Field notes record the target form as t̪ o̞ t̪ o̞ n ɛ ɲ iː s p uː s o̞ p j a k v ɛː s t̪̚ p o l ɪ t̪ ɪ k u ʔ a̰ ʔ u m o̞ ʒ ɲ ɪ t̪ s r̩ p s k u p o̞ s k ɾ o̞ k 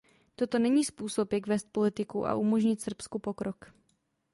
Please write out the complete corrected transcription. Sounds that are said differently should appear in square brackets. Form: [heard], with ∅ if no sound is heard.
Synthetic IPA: t̪ o̞ t̪ o̞ n ɛ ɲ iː s p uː s o̞ p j a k v ɛː s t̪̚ p o l ɪ t̪ ɪ k u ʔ a̰ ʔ u m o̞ ʒ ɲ ɪ t̪ s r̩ p s k u p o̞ [∅] k ɾ o̞ k